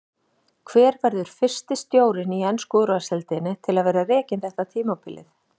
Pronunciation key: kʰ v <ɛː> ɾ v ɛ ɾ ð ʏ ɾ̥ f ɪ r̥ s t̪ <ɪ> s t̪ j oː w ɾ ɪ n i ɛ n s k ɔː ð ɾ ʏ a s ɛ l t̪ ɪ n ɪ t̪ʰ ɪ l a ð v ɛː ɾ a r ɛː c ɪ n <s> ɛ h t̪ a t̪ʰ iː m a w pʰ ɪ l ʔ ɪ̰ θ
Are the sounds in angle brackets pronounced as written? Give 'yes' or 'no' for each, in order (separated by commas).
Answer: yes, yes, no